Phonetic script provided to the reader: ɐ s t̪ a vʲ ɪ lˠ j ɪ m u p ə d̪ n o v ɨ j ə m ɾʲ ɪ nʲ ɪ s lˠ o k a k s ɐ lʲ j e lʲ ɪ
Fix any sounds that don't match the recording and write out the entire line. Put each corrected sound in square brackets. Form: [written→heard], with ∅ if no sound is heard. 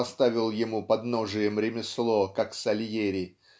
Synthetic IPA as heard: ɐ s t̪ a vʲ ɪ lˠ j ɪ m u p [ə→ɐ] d̪ n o [v→ʐ] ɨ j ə m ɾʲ ɪ [nʲ→mʲ] ɪ s lˠ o k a k s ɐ lʲ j e [lʲ→ɾʲ] ɪ